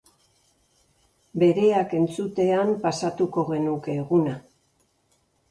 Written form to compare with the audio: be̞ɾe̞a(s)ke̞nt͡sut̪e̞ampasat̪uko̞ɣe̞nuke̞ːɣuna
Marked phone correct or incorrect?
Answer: incorrect